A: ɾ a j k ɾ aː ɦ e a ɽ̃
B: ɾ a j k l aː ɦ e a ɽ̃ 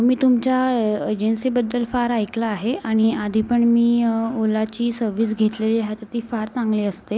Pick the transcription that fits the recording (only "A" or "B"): B